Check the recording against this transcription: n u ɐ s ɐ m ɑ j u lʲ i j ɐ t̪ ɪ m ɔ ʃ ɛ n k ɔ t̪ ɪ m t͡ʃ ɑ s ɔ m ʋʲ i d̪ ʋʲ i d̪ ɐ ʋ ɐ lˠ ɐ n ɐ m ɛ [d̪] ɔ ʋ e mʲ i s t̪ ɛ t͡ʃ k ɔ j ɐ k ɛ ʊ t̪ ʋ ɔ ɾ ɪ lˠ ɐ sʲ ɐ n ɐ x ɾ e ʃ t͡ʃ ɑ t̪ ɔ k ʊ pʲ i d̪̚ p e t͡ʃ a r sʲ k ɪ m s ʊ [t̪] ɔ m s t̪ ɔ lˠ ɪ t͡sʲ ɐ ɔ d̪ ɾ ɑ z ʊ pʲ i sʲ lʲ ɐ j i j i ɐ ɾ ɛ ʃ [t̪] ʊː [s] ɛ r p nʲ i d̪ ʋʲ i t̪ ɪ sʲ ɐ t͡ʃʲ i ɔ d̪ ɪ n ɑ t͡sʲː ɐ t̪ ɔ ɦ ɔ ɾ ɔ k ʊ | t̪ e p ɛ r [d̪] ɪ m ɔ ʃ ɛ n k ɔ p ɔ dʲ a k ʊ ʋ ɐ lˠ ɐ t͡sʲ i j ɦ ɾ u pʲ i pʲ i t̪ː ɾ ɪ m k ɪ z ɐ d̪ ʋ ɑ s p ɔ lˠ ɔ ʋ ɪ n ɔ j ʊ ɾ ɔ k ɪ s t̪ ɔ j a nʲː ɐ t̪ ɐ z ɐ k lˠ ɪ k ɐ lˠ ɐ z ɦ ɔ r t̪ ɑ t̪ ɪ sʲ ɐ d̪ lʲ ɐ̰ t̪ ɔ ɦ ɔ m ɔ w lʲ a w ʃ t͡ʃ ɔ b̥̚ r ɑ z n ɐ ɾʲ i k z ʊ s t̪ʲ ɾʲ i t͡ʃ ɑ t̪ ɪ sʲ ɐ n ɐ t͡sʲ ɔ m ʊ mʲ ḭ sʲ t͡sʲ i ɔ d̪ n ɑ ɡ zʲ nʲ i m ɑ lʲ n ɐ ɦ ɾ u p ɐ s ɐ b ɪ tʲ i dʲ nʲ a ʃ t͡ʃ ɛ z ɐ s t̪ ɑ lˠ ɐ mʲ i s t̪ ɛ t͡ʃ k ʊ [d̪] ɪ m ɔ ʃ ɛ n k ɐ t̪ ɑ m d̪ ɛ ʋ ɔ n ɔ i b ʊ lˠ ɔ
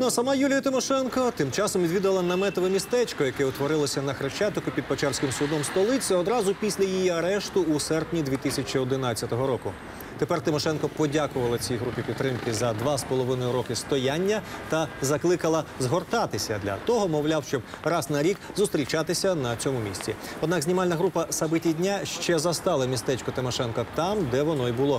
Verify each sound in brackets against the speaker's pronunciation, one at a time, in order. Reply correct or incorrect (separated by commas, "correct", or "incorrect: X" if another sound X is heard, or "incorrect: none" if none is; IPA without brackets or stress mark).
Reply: incorrect: t̪, incorrect: d̪, correct, correct, incorrect: t̪, incorrect: t̪